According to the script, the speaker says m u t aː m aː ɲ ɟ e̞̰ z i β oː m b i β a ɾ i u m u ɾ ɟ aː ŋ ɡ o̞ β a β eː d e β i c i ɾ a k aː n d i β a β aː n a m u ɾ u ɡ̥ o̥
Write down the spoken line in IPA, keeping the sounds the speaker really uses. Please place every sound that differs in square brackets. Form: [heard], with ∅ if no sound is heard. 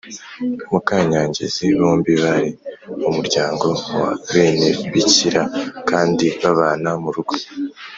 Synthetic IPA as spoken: m u [k] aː [ɲ] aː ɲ ɟ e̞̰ z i β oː m b i β a ɾ i u m u ɾ ɟ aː ŋ ɡ o̞ [w] a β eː [n] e β i c i ɾ a k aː n d i β a β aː n a m u ɾ u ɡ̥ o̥